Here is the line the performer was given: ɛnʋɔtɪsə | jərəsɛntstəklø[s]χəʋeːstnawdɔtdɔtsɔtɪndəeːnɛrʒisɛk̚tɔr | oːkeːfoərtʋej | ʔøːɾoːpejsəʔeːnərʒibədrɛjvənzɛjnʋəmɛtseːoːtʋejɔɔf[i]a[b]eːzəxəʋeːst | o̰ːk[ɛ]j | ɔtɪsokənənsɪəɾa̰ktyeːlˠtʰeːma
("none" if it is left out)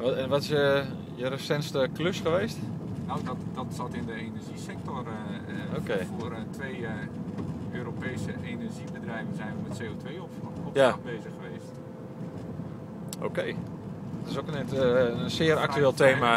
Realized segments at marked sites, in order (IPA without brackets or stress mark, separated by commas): s, j, b, e